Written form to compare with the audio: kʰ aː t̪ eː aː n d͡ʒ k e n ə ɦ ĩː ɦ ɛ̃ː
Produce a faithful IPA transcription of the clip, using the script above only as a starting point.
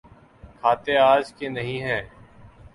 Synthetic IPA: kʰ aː t̪ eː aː d͡ʒ k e n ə ɦ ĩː ɦ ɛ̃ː